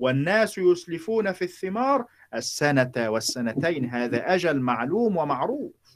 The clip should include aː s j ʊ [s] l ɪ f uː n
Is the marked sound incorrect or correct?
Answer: correct